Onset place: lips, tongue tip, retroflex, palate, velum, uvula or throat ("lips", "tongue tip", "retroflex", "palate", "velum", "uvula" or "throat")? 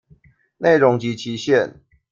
tongue tip